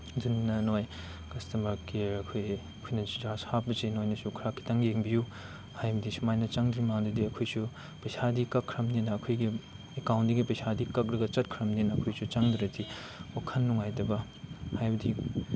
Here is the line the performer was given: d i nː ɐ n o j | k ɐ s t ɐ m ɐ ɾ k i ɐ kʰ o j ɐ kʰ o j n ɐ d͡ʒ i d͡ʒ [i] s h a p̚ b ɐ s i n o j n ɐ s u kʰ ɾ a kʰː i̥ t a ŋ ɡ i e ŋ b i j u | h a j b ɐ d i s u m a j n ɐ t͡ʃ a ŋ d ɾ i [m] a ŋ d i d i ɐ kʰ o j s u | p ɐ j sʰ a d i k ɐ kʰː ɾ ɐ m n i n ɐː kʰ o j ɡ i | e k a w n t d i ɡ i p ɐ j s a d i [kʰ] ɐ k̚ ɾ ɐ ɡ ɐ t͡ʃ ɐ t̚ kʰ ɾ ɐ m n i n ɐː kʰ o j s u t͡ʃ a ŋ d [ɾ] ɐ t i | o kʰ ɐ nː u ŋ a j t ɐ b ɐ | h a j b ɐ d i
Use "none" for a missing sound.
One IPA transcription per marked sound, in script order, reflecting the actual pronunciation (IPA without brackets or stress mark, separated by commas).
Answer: a, m, k, ɾ